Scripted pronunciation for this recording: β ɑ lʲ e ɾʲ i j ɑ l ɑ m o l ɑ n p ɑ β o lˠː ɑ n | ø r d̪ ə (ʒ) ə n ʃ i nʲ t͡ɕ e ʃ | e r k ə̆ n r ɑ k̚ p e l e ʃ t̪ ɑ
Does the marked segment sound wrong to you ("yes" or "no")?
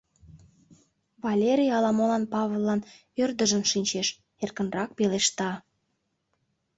no